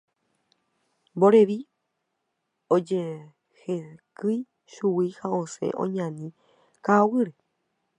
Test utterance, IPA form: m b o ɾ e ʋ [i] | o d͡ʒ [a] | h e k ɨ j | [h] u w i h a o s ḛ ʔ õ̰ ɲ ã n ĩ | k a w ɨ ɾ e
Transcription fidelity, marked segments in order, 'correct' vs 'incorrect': correct, incorrect: e, incorrect: ʃ

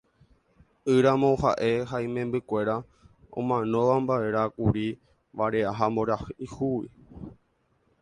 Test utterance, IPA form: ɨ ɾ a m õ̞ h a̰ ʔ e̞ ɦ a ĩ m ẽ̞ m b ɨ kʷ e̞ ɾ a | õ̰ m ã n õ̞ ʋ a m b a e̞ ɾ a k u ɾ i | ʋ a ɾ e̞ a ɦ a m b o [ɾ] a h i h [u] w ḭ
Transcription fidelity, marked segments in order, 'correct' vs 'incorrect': correct, correct

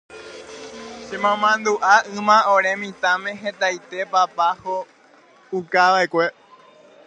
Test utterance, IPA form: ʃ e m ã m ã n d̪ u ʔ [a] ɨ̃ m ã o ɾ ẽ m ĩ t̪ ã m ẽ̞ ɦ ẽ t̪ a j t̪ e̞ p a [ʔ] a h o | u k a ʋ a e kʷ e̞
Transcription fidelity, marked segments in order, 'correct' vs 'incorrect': correct, incorrect: p

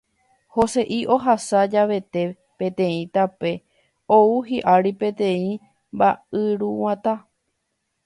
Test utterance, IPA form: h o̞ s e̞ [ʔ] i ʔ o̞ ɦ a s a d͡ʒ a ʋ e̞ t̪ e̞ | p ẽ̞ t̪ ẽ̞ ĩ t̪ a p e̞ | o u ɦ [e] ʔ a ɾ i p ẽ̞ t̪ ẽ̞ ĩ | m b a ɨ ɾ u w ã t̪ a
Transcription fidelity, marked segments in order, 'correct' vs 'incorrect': correct, incorrect: i

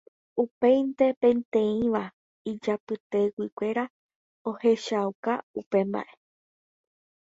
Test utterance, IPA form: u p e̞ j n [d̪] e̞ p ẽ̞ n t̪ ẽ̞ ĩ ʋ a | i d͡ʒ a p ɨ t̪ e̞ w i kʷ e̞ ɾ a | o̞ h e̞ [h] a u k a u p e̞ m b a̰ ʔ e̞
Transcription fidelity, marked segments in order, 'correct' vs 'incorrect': incorrect: t̪, incorrect: ʃ

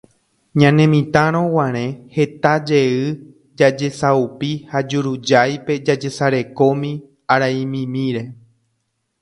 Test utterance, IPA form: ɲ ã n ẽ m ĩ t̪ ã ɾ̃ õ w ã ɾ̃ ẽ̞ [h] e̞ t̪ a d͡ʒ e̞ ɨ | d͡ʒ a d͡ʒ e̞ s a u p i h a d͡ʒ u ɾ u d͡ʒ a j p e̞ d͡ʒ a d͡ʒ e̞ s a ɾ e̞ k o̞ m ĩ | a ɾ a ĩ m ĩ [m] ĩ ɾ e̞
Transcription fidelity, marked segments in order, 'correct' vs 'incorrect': correct, correct

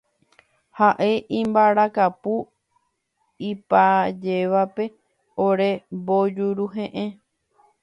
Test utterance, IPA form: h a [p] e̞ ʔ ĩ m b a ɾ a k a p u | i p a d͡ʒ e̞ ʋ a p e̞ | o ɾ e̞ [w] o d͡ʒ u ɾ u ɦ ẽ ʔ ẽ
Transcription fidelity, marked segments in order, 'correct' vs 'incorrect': incorrect: ʔ, incorrect: b

